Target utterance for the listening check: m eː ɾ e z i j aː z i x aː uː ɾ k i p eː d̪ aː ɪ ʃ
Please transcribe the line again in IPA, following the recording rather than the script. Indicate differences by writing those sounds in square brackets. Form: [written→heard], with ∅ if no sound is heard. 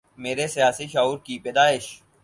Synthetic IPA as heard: m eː ɾ e [z→s] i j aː [z→s] i [x→ʃ] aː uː ɾ k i p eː d̪ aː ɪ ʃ